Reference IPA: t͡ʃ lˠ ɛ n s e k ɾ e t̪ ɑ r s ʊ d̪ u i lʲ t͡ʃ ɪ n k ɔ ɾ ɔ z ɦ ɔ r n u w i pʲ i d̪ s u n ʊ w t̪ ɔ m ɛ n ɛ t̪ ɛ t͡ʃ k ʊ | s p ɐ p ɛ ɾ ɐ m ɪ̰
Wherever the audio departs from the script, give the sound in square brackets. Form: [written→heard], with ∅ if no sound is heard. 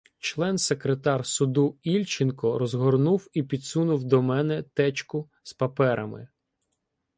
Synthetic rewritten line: t͡ʃ lˠ ɛ n s e k ɾ e t̪ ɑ r s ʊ d̪ u i lʲ t͡ʃ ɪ n k ɔ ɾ ɔ z ɦ ɔ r n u w i pʲ i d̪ s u n ʊ w [t̪→d̪] ɔ m ɛ n ɛ t̪ ɛ t͡ʃ k ʊ | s p ɐ p ɛ ɾ ɐ m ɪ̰